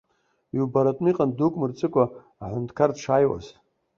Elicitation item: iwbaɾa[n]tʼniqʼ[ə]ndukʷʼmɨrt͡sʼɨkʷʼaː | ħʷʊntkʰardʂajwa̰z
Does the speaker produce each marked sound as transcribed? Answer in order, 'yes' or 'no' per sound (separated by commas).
no, no